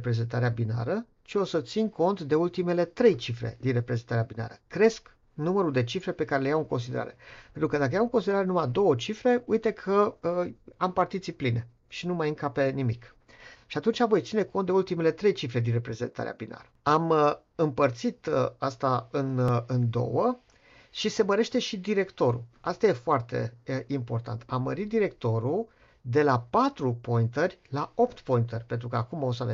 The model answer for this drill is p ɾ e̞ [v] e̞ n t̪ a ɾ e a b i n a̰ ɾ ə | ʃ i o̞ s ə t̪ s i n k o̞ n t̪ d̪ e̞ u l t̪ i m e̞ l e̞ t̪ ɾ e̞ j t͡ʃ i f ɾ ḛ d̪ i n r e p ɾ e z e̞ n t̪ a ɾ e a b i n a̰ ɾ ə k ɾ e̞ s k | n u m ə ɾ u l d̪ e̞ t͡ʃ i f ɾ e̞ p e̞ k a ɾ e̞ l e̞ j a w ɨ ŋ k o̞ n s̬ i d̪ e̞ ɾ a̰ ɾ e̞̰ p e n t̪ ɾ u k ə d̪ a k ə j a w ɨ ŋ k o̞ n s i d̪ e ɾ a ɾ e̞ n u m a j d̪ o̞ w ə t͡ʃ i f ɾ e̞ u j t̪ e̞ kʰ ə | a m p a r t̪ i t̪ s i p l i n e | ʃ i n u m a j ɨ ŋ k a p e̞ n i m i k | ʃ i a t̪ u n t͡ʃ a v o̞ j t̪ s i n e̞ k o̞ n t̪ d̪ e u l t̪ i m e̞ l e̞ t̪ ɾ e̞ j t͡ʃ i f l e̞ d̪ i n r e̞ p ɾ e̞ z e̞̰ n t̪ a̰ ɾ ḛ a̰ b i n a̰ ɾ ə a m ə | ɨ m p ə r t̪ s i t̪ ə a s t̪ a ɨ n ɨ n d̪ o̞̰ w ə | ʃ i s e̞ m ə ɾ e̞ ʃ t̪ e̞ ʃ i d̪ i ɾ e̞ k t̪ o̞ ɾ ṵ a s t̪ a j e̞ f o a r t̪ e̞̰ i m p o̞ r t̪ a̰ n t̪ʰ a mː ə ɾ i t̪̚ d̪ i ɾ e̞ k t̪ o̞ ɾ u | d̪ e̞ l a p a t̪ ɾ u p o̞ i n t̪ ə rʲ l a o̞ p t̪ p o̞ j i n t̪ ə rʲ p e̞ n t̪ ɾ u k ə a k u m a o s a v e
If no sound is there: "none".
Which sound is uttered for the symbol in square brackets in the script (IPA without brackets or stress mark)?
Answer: z